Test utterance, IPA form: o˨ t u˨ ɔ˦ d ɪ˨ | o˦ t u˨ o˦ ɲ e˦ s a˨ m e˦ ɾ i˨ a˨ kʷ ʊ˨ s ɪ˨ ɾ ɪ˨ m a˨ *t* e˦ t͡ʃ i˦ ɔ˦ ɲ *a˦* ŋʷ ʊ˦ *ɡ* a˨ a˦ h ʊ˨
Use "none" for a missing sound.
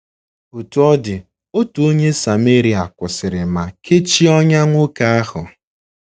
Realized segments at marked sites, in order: k, a˦, k

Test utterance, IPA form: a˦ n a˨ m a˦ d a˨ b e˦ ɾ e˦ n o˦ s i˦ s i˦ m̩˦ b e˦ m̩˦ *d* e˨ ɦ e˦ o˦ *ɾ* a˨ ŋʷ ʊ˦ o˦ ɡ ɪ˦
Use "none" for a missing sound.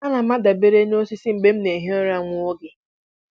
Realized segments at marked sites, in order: n, ɾ

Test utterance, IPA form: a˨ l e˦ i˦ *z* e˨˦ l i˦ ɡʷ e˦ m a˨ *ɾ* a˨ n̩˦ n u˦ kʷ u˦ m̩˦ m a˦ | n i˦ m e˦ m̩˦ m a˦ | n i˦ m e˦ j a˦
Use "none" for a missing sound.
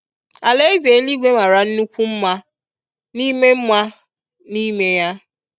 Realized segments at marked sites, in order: z, ɾ

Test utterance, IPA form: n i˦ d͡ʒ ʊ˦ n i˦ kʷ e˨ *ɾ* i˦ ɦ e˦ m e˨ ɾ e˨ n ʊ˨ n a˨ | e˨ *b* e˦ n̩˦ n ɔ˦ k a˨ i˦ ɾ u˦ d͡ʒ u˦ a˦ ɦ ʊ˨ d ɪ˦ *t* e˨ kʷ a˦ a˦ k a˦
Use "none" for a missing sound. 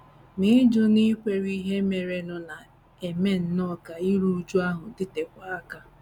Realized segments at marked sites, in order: ɾ, m, t

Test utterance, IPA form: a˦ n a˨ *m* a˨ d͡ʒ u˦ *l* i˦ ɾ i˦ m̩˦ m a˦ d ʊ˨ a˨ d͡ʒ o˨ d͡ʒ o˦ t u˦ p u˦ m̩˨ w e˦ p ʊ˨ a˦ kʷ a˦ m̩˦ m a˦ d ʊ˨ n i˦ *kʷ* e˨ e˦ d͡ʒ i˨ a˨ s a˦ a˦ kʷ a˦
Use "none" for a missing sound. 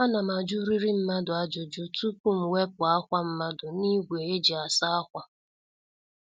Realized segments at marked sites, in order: m, ɾ, ɡʷ

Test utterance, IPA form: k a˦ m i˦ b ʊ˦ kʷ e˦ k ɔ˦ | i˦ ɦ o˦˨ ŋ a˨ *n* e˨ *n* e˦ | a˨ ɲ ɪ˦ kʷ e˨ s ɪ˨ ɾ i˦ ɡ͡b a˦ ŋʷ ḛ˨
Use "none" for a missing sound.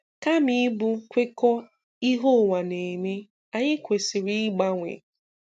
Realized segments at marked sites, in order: n, m

